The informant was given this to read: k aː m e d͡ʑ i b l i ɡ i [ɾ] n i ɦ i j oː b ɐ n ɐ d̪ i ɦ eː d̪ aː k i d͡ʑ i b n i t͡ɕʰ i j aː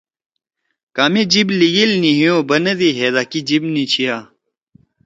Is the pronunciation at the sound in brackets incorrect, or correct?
incorrect